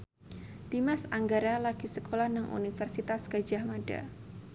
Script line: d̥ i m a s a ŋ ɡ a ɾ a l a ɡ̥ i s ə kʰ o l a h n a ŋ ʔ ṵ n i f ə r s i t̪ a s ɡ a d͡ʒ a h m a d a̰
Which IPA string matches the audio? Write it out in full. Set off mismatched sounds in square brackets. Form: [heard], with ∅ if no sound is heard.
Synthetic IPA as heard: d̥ i m a s a ŋ ɡ a ɾ a l a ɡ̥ i s ə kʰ o l a h n a ŋ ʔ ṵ n i f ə r s i t̪ a s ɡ a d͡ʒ a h m a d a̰